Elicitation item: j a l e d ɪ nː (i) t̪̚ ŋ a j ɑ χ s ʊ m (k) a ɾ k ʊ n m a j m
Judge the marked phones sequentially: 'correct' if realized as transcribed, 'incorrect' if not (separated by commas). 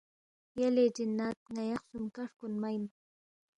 incorrect, correct